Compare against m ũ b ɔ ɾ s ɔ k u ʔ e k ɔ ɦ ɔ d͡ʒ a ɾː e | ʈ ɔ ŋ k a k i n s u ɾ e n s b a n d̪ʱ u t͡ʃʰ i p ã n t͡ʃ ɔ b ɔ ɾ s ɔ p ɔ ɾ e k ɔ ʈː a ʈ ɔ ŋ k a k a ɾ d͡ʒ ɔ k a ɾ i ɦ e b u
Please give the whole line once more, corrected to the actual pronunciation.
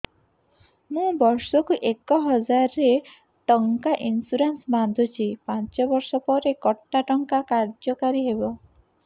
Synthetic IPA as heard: m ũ b ɔ ɾ s ɔ k u ʔ e k ɔ ɦ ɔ d͡ʒ a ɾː e | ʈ ɔ ŋ k a ʔ i n s u ɾ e n s b a n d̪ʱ u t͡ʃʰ i p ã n t͡ʃ ɔ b ɔ ɾ s ɔ p ɔ ɾ e k ɔ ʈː a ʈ ɔ ŋ k a k a ɾ d͡ʒ ɔ k a ɾ i ɦ e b ɔ